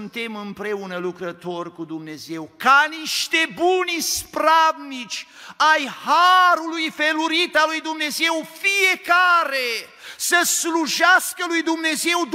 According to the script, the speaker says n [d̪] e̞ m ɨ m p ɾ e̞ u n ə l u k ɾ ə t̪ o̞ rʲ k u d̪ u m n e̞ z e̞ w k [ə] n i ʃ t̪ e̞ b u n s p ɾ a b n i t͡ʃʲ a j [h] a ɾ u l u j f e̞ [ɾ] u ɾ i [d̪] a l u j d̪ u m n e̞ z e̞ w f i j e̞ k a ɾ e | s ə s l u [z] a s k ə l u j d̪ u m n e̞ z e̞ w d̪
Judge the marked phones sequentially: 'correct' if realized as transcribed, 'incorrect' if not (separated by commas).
incorrect, incorrect, correct, incorrect, incorrect, incorrect